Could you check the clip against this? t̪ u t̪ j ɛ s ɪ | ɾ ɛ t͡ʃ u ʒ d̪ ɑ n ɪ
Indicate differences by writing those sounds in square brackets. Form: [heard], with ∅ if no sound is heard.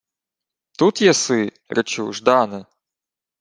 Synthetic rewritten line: t̪ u t̪ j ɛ s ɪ | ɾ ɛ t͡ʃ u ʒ d̪ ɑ n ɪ

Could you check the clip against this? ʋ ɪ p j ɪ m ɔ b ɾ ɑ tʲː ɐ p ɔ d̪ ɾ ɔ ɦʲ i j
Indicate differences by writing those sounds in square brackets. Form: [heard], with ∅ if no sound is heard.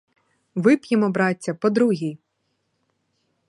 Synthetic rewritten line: ʋ ɪ p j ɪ m ɔ b ɾ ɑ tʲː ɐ p ɔ d̪ ɾ [u] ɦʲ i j

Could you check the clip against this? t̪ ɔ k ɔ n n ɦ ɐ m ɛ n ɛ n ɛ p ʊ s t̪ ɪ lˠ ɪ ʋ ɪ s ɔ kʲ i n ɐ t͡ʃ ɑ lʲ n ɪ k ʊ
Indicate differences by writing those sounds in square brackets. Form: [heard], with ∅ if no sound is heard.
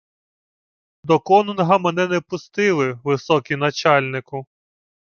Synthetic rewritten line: [d̪] ɔ k ɔ n n ɦ ɐ m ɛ n ɛ n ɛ p ʊ s t̪ ɪ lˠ ɪ ʋ ɪ s ɔ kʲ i n ɐ t͡ʃ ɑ lʲ n ɪ k ʊ

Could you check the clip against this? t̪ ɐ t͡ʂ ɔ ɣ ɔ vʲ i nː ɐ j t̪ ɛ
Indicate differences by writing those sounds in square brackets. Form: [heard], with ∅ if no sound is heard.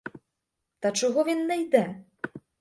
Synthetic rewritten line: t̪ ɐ t͡ʂ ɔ ɣ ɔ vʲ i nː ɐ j [d̪] ɛ

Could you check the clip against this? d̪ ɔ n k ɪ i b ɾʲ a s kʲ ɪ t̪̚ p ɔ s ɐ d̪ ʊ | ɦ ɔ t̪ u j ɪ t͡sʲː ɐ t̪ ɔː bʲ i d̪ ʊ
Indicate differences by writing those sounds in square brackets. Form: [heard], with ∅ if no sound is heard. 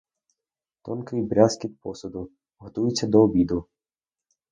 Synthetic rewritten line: [t̪] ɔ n k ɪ [j] b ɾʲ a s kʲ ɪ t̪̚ p ɔ s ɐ d̪ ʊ | ɦ ɔ t̪ u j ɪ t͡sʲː ɐ [d̪] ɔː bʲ i d̪ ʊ

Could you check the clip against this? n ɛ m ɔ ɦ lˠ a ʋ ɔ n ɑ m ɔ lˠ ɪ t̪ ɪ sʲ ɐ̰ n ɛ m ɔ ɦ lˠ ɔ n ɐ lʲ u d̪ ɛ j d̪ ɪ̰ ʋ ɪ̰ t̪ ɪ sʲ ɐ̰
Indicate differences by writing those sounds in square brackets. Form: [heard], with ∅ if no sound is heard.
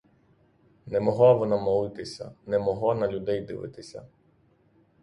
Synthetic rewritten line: n ɛ m ɔ ɦ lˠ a ʋ ɔ n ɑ m ɔ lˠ ɪ t̪ ɪ sʲ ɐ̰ n ɛ m ɔ ɦ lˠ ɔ n ɐ lʲ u d̪ ɛ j d̪ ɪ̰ ʋ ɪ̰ t̪ ɪ sʲ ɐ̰

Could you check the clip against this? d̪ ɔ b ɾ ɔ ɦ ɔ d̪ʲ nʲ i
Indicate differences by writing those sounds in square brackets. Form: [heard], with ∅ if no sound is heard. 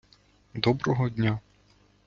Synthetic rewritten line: d̪ ɔ b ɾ ɔ ɦ ɔ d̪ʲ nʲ [a]

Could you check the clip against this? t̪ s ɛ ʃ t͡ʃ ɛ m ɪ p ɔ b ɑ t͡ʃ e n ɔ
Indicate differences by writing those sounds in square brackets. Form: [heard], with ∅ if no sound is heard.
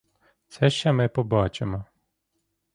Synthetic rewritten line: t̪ s ɛ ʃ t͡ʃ ɛ m ɪ p ɔ b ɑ t͡ʃ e [m] ɔ

